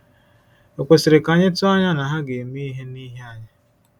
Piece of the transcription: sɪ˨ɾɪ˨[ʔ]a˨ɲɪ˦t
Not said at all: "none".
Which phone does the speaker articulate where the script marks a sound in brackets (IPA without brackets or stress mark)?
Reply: k